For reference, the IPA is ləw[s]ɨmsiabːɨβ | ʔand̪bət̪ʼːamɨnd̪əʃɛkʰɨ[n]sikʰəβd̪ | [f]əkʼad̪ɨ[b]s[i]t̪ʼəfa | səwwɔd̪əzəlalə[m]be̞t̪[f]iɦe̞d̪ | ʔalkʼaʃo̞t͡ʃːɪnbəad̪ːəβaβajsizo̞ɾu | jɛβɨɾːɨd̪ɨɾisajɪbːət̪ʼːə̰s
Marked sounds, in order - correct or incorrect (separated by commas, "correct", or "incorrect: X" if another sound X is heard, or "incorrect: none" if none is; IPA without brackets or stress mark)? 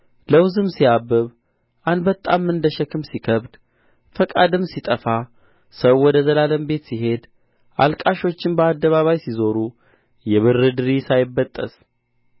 incorrect: z, incorrect: m, correct, incorrect: m, correct, correct, incorrect: s